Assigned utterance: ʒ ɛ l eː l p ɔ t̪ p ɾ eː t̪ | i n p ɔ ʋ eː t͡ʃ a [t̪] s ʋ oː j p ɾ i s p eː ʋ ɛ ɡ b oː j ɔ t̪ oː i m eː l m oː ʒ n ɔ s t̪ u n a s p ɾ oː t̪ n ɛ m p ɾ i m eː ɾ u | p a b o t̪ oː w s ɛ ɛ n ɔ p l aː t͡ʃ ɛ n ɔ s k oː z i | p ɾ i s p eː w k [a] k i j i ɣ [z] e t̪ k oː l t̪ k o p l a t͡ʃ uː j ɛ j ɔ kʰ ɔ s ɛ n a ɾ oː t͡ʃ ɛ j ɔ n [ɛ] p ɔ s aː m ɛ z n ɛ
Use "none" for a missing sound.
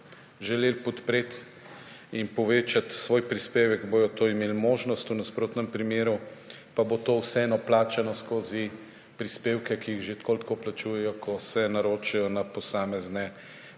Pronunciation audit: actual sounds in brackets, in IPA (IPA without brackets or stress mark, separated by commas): t̪, ɛ, ʒ, a